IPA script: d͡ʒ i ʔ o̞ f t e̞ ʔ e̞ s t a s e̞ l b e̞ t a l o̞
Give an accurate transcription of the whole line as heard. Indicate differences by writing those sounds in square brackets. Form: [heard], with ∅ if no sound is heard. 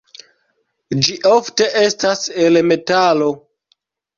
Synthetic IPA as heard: d͡ʒ i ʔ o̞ f t e̞ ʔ e̞ s t a s e̞ l [m] e̞ t a l o̞